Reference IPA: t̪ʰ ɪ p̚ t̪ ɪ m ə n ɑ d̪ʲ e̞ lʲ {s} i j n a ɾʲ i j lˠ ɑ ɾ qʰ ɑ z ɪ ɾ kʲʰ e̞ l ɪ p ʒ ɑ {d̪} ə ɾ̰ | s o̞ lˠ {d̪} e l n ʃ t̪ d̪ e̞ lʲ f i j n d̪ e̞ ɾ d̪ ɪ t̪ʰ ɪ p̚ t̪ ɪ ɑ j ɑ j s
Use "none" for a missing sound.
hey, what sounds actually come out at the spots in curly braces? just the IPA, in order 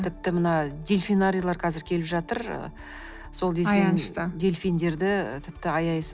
f, t̪, d̪

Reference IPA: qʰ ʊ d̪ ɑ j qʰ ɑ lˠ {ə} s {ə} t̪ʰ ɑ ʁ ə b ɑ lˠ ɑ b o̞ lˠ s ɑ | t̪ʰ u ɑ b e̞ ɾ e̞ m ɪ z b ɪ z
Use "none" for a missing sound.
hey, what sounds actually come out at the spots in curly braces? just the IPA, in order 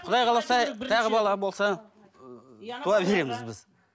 ɑ, ɑ

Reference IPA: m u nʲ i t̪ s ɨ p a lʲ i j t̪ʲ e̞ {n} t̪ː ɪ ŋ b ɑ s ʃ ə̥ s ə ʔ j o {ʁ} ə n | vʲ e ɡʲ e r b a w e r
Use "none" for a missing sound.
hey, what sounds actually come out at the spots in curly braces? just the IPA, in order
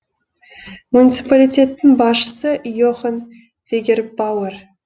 none, χ

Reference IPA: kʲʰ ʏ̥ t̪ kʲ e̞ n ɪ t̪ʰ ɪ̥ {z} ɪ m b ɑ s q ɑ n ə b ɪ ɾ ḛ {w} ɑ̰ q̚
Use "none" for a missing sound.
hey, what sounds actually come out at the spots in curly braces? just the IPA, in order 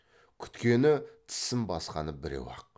s, w

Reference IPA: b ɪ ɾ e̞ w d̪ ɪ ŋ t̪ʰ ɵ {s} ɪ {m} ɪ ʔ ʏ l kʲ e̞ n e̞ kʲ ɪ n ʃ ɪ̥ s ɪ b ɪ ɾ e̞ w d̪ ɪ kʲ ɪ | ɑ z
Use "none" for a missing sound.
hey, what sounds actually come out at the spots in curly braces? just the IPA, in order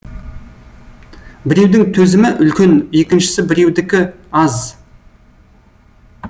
z, m

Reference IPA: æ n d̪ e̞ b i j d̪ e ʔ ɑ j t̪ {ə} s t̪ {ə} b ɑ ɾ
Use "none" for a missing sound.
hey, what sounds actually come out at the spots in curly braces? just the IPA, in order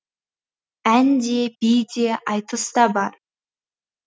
ə, ɑ

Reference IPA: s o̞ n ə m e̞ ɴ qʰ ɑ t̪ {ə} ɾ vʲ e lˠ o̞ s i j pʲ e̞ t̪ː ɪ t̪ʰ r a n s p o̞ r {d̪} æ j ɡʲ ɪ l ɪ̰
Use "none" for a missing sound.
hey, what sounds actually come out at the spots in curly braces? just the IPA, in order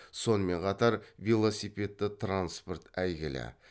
ɑ, t̪

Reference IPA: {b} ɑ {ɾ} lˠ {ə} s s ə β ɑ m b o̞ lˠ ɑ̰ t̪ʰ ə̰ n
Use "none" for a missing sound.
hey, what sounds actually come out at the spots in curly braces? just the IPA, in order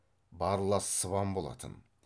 b, ɾ, ɑ

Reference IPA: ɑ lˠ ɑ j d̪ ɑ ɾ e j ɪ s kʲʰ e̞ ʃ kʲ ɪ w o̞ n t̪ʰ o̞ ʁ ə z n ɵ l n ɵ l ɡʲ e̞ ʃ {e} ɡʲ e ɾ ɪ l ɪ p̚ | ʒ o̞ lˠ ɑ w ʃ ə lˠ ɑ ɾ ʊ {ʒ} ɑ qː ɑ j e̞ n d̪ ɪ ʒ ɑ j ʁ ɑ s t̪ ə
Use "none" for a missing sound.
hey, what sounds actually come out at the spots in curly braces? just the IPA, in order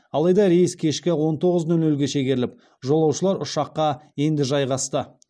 e, ʃ

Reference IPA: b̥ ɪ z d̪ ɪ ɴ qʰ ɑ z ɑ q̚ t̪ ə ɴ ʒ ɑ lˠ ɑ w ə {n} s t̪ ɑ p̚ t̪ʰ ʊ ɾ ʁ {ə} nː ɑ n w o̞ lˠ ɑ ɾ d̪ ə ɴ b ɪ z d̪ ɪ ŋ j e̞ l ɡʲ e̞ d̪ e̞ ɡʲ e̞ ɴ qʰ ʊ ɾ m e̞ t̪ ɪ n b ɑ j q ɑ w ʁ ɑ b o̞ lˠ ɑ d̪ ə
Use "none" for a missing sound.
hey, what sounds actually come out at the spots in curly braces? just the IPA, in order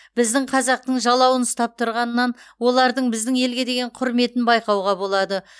n, ɑ

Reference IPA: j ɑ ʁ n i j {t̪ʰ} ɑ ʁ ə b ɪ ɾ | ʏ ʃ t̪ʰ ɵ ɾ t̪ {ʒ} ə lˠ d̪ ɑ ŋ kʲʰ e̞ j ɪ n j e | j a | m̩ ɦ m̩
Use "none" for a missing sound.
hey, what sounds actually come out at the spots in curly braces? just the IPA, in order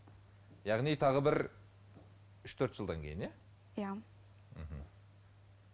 t̪ʰ, ʒ

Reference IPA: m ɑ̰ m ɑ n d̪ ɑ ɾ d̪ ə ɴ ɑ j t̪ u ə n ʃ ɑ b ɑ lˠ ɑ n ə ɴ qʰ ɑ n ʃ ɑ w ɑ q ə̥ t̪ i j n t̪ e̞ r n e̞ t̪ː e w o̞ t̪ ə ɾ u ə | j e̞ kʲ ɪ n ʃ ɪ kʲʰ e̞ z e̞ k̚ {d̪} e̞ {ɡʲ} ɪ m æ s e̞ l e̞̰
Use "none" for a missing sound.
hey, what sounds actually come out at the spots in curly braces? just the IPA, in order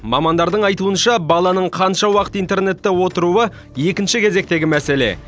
t̪, ɡʲ

